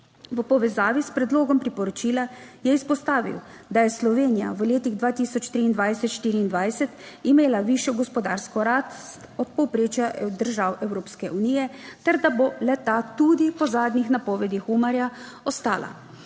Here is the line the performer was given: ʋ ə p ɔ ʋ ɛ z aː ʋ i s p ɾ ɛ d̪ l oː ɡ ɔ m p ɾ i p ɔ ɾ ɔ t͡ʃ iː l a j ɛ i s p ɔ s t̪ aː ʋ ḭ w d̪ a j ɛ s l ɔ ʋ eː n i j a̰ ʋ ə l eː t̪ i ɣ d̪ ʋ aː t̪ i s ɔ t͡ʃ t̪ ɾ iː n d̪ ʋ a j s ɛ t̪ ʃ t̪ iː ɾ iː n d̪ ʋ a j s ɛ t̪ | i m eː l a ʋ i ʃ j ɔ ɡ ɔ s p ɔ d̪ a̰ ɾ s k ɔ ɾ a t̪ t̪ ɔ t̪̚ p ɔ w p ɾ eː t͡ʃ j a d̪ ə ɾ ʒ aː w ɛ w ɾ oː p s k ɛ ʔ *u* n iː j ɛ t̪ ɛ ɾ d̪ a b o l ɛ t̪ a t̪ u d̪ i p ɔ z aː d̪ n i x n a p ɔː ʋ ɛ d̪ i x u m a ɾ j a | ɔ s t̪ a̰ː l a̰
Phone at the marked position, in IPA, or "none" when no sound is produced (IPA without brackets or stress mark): u